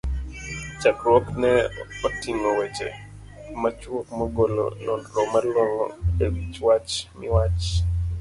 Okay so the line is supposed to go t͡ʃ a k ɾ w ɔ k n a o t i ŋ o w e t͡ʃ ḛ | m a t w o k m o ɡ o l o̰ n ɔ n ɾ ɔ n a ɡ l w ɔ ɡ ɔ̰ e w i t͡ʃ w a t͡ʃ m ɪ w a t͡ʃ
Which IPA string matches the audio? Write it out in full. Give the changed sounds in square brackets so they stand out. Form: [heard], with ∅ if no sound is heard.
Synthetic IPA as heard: t͡ʃ a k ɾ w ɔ k n [ɛ] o t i ŋ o w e t͡ʃ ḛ | m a [t͡ʃ] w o k m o ɡ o l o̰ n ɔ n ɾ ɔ [m] a [∅] l w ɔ [ŋ] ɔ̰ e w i t͡ʃ w a t͡ʃ m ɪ w a t͡ʃ